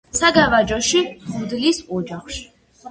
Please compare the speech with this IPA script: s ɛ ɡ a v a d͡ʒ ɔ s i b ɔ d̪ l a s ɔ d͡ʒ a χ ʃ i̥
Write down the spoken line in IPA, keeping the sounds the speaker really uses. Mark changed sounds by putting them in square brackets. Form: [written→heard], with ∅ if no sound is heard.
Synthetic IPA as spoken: s [ɛ→a] ɡ a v a d͡ʒ ɔ [s→ʃ] i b [ɔ→u] d̪ l [a→i] s ɔ d͡ʒ a χ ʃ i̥